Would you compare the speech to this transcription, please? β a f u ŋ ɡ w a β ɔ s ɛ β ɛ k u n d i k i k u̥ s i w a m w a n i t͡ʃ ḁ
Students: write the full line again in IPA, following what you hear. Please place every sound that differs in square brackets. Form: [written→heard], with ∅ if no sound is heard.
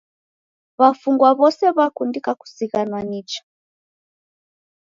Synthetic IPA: β a f u ŋ ɡ w a β ɔ s ɛ β [ɛ→a] k u n d i k [i→a] k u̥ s i [w→ɣ] a [m→n] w a n i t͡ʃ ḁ